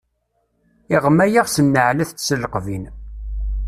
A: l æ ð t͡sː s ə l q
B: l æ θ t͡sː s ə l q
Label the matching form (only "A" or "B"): B